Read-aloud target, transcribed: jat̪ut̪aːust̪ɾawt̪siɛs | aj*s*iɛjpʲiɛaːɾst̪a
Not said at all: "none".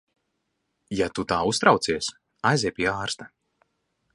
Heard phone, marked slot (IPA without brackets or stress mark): z